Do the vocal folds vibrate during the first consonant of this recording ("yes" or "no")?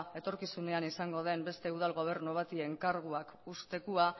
no